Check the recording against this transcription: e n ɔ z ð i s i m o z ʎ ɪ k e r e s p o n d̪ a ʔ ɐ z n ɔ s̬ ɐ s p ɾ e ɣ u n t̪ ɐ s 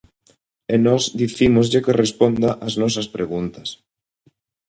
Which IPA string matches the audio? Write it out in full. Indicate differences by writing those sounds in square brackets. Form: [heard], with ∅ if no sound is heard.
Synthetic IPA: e n ɔ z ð i [θ] i m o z ʎ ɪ k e r e s p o n d̪ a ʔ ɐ z n ɔ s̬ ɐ s p ɾ e ɣ u n t̪ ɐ s